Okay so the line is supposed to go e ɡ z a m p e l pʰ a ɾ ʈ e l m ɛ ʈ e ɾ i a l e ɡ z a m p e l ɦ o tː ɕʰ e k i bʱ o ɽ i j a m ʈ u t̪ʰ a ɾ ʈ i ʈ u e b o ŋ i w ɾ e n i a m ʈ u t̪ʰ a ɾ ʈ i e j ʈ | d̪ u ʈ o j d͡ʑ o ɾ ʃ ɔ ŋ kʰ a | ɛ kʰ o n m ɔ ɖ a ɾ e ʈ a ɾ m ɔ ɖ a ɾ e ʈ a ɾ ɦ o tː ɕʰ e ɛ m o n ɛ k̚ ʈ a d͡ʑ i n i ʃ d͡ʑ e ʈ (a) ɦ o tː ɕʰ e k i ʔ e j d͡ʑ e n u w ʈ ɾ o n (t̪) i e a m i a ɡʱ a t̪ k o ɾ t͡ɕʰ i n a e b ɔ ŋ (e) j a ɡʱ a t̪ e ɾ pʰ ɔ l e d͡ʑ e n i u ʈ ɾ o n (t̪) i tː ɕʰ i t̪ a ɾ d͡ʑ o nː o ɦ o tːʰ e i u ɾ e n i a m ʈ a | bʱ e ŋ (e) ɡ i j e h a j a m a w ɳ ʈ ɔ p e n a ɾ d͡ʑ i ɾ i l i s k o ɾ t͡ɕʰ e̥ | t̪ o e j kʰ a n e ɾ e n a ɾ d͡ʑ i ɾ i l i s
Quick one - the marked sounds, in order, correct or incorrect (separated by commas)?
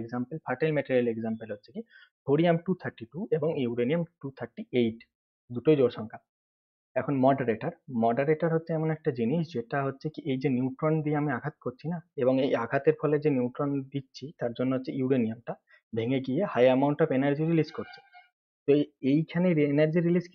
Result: correct, incorrect, correct, incorrect, correct